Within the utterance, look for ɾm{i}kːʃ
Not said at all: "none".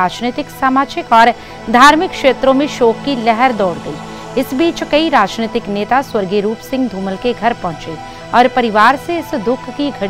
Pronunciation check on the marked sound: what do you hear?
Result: ɪ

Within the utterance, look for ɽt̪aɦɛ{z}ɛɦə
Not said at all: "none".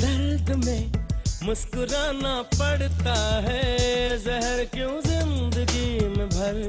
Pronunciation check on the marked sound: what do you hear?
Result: z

